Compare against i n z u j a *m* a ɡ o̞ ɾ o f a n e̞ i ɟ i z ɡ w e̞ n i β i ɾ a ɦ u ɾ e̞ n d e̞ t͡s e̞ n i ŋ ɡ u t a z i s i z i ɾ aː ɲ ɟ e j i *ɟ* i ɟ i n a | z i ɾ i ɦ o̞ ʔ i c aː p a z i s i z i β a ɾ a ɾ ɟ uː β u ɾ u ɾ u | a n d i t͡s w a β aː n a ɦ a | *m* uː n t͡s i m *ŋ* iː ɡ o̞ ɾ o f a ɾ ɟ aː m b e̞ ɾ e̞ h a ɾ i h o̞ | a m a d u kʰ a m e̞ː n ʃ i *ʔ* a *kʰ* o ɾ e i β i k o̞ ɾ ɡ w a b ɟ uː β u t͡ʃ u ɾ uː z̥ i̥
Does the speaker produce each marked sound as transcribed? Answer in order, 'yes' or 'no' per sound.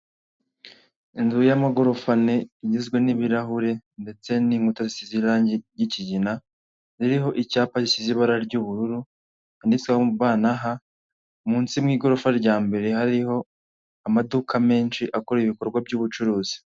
yes, no, yes, yes, yes, no

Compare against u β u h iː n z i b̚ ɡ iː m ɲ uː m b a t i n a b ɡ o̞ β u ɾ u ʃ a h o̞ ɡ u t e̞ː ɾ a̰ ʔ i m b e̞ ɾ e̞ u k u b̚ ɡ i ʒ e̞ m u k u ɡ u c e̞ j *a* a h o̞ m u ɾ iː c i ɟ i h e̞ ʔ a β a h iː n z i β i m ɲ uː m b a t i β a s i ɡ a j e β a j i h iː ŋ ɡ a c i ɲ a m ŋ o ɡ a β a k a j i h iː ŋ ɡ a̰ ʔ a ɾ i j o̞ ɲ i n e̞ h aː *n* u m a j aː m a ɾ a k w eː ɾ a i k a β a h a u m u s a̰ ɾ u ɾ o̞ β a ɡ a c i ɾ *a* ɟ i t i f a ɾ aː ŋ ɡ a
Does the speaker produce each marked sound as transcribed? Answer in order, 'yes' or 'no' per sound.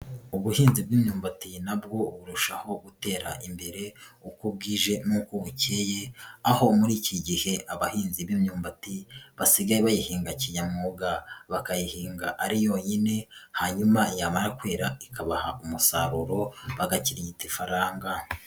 no, no, no

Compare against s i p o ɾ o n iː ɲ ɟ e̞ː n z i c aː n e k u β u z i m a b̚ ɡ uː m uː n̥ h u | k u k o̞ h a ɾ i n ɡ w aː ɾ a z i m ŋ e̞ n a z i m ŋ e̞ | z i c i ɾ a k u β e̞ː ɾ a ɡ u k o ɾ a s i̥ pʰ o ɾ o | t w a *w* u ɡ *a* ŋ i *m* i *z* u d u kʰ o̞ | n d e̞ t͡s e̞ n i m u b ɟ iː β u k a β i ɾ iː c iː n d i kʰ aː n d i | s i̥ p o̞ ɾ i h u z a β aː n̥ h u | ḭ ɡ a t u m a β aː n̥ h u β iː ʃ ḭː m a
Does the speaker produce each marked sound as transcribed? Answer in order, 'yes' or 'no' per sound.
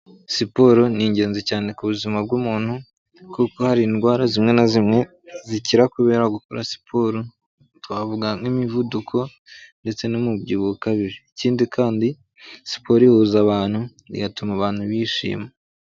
no, yes, yes, no

